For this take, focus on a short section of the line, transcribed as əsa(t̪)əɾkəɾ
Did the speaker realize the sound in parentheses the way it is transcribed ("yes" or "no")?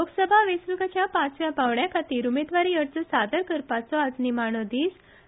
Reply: no